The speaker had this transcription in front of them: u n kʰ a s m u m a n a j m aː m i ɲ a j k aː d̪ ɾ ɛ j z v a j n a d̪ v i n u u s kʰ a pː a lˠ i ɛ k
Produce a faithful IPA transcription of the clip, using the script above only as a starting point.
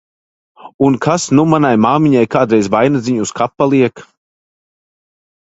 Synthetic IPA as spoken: u n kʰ a s n u m a n a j m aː m i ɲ a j k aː d̪ ɾ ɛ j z v a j n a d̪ z i ɲ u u s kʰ a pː a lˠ i ɛ k